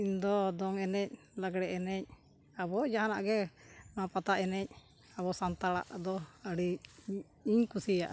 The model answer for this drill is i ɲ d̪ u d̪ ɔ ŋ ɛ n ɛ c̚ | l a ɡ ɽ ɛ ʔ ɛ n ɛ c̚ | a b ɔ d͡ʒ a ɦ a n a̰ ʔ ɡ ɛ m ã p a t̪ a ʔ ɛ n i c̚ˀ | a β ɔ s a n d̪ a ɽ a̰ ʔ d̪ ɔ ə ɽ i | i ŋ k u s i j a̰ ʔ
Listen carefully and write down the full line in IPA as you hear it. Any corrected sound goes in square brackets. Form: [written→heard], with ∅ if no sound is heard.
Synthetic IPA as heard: i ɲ d̪ [u→ɔ] d̪ ɔ ŋ ɛ n ɛ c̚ | l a ɡ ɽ ɛ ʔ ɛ n ɛ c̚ | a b ɔ d͡ʒ a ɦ a n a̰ ʔ ɡ ɛ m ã p a t̪ a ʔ ɛ n [i→ɛ] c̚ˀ | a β ɔ s a n [d̪→t̪] a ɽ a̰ ʔ d̪ ɔ ə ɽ i | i [ŋ→ɲ] k u s i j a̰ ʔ